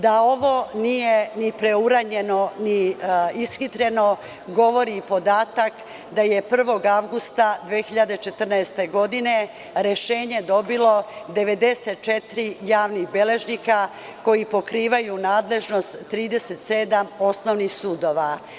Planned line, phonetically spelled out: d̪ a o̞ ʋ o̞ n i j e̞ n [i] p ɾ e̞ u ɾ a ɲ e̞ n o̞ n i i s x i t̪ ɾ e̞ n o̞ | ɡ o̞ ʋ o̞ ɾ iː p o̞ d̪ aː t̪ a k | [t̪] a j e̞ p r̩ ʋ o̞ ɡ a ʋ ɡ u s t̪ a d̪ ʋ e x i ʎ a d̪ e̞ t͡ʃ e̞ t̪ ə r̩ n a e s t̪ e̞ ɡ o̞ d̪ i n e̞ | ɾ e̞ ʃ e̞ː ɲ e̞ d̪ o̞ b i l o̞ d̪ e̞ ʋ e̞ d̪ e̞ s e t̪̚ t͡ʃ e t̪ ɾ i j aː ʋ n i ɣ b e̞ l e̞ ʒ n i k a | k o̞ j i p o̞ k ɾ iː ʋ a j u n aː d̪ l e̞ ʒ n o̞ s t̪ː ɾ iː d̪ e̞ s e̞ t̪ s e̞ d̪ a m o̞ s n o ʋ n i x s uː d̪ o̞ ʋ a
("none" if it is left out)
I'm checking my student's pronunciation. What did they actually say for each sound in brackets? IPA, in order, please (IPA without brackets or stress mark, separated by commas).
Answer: i, d̪